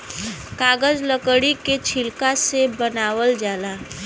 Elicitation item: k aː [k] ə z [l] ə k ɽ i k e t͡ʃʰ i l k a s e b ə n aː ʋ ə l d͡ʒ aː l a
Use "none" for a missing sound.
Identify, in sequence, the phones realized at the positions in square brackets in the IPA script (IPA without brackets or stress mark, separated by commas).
ɡ, l